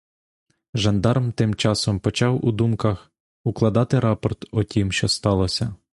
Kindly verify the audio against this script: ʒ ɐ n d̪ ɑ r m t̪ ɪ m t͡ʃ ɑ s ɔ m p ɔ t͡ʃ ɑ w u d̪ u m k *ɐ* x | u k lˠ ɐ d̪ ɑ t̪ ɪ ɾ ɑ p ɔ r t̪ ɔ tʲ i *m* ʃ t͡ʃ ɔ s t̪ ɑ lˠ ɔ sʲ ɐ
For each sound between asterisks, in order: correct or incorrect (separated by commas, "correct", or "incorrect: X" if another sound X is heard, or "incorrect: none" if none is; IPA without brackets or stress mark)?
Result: correct, correct